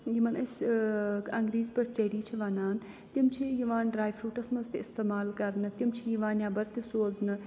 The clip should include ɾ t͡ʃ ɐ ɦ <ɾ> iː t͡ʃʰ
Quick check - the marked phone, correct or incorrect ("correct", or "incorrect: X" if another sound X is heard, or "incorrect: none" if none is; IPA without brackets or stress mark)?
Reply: correct